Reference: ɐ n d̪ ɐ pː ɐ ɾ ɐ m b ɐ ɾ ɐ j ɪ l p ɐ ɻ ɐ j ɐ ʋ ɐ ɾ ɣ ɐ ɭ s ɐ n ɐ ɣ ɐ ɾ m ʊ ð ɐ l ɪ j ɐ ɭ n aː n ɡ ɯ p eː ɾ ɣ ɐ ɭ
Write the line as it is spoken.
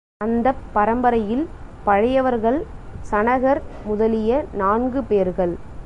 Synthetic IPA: ɐ n d̪ ɐ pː ɐ ɾ ɐ m b ɐ ɾ ɐ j ɪ l p ɐ ɻ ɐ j ɐ ʋ ɐ ɾ ɣ ɐ ɭ s ɐ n ɐ ɣ ɐ ɾ m ʊ ð ɐ l ɪ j ɐ n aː n ɡ ɯ p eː ɾ ɣ ɐ ɭ

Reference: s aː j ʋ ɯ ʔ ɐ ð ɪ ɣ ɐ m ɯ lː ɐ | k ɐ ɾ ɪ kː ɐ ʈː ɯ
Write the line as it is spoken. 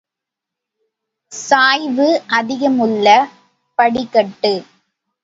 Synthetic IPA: s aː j ʋ ɯ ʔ ɐ ð ɪ ɣ ɐ m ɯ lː ɐ | p ɐ ɽ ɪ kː ɐ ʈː ɯ

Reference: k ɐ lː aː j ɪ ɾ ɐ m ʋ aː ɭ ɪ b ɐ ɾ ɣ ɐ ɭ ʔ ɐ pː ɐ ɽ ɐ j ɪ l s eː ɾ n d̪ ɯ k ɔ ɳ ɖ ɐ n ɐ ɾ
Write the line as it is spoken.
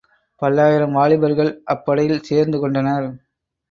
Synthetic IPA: p ɐ lː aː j ɪ ɾ ɐ m ʋ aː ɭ ɪ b ɐ ɾ ɣ ɐ ɭ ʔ ɐ pː ɐ ɽ ɐ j ɪ l s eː ɾ n d̪ ɯ k ɔ ɳ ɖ ɐ n ɐ ɾ

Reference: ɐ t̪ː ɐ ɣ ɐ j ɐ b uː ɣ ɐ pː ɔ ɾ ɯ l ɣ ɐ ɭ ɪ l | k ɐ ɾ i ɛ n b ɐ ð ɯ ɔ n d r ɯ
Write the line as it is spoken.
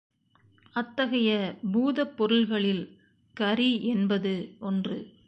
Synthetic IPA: ɐ t̪ː ɐ ɣ ɐ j ɐ b uː ð ɐ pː ɔ ɾ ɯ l ɣ ɐ ɭ ɪ l | k ɐ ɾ i ɛ n b ɐ ð ɯ ɔ n d r ɯ

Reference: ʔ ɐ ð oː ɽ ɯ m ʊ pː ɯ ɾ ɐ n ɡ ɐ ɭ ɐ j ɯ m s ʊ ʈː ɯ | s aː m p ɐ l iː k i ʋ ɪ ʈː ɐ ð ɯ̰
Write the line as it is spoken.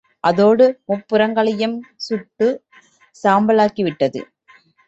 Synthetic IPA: ʔ ɐ ð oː ɽ ɯ m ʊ pː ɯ ɾ ɐ ŋ ɡ ɐ ɭ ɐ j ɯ m s ʊ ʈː ɯ | s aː m b ɐ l aː k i ʋ ɪ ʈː ɐ ð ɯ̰

